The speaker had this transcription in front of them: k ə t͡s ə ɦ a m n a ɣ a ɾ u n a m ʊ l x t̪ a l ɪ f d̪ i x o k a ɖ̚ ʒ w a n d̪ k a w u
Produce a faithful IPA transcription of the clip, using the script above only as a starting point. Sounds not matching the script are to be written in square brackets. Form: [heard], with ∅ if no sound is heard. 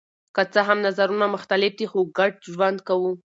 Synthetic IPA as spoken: k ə t͡s ə ɦ a m n a [z] a ɾ u n a m ʊ [∅] x t̪ a l ɪ f d̪ i x o [ɡ] a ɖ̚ ʒ w a n d̪ k a w u